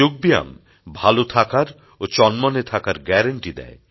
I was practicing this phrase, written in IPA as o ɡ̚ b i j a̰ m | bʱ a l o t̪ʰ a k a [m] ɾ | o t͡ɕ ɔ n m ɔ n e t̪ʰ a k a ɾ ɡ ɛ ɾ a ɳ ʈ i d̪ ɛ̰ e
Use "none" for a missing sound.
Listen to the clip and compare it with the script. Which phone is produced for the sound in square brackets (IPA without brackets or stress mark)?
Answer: none